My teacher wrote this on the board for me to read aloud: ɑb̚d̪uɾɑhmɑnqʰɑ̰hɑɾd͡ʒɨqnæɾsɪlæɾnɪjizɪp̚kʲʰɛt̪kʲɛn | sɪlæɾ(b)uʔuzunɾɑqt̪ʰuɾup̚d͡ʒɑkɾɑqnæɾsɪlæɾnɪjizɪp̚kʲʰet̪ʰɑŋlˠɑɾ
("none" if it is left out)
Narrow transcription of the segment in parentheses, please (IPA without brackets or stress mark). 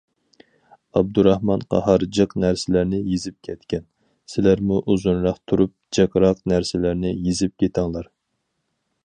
m